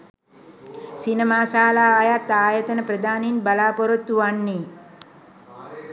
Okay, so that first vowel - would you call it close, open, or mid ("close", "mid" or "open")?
close